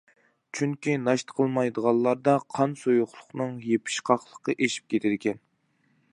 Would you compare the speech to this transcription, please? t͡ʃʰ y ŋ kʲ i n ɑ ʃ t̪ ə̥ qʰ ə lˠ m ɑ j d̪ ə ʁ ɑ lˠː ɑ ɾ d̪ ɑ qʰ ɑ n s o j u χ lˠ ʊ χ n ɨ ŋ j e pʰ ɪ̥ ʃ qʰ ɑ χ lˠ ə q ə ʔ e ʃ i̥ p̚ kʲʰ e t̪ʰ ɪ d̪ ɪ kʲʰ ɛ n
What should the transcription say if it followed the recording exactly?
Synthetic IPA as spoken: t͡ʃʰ y ŋ kʲ i n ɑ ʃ t̪ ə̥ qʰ ə lˠ m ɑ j d̪ ə ʁ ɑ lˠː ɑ ɾ d̪ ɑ qʰ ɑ n s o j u χ lˠ ʊ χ n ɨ ŋ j e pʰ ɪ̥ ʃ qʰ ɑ χ lˠ ə q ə ʔ e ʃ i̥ p̚ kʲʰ e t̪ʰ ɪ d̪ ɪ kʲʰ ɛ n